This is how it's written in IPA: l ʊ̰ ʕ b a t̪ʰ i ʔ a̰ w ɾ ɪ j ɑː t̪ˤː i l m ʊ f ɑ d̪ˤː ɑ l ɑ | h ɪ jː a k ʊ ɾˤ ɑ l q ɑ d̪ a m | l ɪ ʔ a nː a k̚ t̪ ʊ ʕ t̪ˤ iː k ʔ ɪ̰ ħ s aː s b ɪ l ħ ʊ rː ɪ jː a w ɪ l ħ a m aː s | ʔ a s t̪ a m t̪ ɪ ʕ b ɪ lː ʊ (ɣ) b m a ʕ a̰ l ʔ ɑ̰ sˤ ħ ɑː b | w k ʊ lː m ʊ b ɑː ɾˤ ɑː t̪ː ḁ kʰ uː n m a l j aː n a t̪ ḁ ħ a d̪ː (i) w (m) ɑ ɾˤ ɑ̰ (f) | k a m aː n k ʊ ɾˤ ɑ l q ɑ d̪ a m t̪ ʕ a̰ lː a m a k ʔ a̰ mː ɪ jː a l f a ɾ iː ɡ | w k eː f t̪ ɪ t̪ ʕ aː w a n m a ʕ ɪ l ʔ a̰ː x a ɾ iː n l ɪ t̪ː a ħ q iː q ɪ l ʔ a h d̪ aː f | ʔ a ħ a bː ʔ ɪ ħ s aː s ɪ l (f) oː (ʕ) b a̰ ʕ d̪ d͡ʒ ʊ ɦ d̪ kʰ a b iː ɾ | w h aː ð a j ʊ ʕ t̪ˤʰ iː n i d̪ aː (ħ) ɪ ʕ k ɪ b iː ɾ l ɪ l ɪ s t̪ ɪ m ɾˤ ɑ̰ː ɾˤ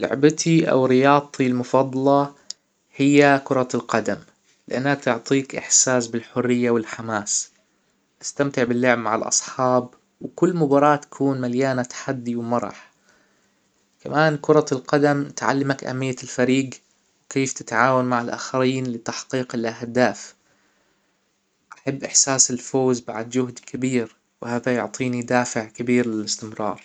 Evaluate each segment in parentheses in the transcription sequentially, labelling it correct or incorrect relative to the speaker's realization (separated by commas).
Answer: incorrect, correct, correct, incorrect, correct, incorrect, incorrect